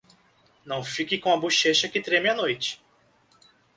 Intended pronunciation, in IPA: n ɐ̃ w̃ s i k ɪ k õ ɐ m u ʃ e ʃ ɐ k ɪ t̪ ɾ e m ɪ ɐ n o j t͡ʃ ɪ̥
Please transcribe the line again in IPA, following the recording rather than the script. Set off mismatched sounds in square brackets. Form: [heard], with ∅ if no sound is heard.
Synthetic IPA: n ɐ̃ w̃ [f] i k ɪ k õ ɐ [b] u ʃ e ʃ ɐ k ɪ t̪ ɾ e m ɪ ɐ n o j t͡ʃ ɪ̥